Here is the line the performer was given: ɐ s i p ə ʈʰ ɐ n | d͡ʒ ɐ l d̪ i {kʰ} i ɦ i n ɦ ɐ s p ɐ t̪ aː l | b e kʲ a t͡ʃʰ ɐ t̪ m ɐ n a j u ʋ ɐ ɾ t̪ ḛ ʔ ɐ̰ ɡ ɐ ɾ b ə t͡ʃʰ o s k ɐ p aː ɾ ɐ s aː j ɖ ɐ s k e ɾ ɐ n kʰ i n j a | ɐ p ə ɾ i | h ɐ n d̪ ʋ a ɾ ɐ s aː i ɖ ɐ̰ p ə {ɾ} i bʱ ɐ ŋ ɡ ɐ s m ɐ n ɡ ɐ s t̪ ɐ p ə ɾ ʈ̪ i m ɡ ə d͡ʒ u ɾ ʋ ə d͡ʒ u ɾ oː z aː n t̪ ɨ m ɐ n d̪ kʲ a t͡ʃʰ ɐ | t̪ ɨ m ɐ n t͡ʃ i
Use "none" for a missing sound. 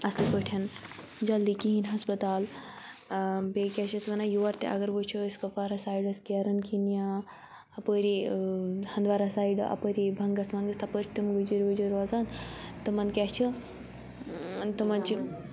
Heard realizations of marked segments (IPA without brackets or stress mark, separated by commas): k, ɾ